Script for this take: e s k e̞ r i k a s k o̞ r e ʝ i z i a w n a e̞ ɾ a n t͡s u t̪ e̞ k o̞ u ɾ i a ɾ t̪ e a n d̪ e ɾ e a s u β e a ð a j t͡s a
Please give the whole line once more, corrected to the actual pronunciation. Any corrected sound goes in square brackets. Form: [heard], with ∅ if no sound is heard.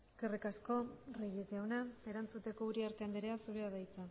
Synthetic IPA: e s k e̞ r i k a s k o̞ r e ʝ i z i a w n a e̞ ɾ a n t͡s u t̪ e̞ k o̞ u ɾ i a ɾ t̪ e a n d̪ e ɾ e a s u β e a ð a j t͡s a